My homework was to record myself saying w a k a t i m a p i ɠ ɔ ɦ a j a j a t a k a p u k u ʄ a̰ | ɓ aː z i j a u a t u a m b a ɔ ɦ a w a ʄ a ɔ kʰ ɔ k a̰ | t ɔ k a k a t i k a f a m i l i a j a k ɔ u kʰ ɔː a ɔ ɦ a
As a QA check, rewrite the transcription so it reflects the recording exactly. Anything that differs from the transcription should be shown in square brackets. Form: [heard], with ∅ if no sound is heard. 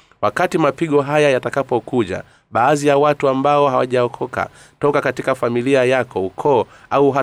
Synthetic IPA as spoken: w a k a t i m a p i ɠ ɔ ɦ a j a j a t a k a p [ɔ] k u ʄ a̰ | ɓ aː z i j a [w] a t u a m b a ɔ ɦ a w a ʄ a ɔ kʰ ɔ k a̰ | t ɔ k a k a t i k a f a m i l i a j a k ɔ u kʰ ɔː a [u] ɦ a